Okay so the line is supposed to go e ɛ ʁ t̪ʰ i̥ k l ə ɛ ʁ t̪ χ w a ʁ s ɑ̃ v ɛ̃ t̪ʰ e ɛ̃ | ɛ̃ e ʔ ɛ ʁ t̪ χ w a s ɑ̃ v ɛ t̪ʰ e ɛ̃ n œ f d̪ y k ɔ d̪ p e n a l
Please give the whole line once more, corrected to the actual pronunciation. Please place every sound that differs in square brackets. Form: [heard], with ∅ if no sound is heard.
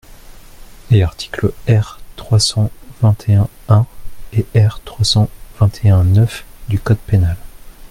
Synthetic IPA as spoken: e [a] ʁ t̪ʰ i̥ k l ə ɛ ʁ t̪ χ w a [∅] s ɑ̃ v ɛ̃ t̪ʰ e ɛ̃ | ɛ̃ e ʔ ɛ ʁ t̪ χ w a s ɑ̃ v [ɛ̃] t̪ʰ e ɛ̃ n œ f d̪ y k ɔ d̪ p e n a l